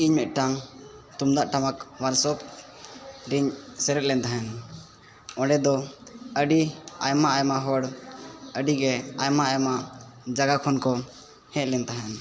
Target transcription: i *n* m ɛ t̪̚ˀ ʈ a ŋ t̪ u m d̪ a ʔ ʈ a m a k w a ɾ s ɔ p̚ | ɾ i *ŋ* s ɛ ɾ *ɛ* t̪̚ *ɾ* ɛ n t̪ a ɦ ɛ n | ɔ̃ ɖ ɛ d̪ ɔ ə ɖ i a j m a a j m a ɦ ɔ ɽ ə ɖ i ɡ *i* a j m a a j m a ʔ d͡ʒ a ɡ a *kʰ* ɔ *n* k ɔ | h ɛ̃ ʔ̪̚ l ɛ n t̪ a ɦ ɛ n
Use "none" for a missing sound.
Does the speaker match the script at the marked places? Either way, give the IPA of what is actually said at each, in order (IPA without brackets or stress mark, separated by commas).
ɲ, ɲ, ɛ, l, ɛ, kʰ, n